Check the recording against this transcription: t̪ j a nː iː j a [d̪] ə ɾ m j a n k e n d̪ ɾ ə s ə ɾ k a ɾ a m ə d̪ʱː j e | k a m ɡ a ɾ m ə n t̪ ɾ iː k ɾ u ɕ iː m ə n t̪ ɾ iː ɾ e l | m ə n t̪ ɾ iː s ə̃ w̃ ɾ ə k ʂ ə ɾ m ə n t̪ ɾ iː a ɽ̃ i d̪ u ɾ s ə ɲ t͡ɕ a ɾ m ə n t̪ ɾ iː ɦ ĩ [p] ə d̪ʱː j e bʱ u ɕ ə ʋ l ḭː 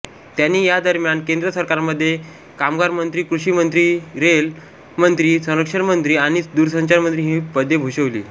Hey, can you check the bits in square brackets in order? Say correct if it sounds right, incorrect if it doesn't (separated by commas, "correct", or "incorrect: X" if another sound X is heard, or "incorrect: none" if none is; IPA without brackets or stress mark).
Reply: correct, correct